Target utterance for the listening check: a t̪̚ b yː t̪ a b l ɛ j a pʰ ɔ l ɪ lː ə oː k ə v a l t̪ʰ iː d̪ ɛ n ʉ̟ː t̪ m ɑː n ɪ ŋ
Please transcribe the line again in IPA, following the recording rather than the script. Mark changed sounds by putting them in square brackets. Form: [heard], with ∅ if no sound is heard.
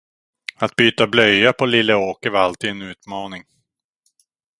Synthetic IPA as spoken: a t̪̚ b yː t̪ a b l [œ] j a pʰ ɔ l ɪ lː ə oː k ə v a l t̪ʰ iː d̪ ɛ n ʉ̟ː t̪ m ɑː n ɪ ŋ